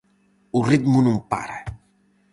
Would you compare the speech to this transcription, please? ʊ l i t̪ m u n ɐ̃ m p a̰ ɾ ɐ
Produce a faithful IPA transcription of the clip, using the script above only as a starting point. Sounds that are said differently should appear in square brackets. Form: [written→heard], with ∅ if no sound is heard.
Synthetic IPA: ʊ [l→r] i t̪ m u n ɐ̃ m p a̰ ɾ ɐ